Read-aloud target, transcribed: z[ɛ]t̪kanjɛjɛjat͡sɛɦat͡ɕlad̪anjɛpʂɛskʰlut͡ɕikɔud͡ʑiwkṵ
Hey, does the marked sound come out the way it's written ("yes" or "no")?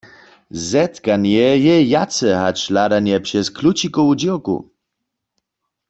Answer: yes